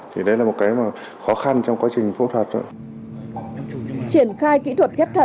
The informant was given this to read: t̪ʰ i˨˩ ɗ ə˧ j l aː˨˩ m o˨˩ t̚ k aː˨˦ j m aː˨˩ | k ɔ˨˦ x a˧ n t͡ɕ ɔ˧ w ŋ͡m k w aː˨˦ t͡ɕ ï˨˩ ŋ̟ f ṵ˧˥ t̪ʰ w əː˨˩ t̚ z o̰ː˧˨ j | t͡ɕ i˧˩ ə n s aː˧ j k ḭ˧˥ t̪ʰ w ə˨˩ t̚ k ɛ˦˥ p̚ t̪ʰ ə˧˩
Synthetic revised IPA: t̪ʰ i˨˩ ɗ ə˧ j l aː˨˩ m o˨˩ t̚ k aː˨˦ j m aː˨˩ | x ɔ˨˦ x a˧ n t͡ɕ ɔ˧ w ŋ͡m k w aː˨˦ t͡ɕ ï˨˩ ŋ̟ f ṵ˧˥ t̪ʰ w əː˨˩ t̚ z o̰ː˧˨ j | t͡ɕ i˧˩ ə n x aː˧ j k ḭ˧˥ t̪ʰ w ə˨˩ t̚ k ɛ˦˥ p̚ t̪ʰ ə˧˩